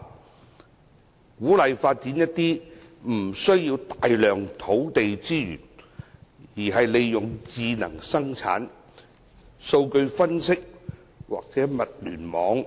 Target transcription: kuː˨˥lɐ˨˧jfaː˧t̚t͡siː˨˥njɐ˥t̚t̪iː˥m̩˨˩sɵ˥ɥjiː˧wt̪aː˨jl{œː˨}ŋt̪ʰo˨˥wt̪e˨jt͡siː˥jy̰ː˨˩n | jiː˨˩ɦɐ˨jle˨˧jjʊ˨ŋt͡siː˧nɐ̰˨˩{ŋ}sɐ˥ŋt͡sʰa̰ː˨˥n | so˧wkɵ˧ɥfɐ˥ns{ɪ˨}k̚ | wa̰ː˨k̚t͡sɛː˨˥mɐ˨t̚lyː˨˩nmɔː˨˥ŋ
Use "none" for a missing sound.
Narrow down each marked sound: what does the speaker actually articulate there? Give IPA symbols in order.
œː˨, ŋ, ɪ˥

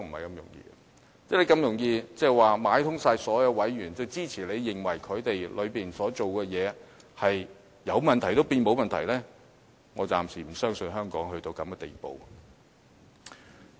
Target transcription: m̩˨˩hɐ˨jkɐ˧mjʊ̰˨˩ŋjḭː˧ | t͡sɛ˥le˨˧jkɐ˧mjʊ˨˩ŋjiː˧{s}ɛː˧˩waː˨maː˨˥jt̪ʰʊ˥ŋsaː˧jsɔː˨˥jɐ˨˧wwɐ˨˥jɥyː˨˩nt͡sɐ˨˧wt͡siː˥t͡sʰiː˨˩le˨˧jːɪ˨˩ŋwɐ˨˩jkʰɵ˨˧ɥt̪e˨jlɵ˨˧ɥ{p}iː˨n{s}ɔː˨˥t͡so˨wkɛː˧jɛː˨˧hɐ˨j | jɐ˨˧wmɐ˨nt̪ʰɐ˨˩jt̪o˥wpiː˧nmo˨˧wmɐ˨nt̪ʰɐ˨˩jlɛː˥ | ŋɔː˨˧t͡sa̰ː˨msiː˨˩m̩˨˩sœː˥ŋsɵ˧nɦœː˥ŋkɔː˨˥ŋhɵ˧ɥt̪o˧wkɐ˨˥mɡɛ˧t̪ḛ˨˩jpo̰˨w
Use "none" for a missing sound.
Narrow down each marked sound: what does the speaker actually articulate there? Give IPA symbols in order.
t͡s, p, s

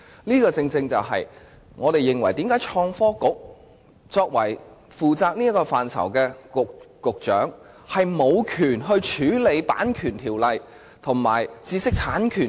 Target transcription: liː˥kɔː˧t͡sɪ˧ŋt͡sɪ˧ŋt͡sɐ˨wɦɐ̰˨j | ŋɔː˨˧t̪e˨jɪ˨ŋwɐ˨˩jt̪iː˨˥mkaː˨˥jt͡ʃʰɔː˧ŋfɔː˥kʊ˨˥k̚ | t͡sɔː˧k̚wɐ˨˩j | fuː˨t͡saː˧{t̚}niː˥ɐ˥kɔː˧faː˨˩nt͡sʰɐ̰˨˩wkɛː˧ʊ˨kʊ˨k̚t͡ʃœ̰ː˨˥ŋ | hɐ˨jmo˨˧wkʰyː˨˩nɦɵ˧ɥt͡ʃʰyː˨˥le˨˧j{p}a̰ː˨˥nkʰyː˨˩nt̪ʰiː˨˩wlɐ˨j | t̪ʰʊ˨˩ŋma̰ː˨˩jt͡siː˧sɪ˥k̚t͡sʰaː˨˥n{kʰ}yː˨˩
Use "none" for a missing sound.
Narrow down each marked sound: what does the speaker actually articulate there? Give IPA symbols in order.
k̚, p, kʰ

